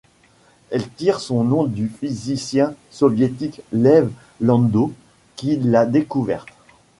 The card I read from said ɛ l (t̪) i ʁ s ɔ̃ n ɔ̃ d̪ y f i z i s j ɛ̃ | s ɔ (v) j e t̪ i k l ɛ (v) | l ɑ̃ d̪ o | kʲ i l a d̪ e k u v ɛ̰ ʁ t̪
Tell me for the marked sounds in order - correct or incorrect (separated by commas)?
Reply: correct, correct, correct